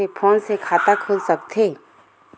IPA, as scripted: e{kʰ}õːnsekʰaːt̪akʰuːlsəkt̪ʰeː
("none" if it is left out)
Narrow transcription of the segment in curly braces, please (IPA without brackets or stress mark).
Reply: pʰ